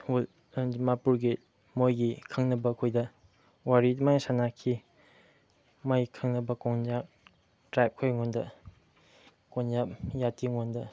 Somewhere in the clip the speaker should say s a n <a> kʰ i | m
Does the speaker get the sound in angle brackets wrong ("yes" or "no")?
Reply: no